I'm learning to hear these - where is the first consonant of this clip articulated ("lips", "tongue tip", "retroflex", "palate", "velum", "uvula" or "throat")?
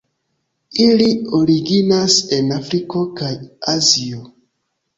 tongue tip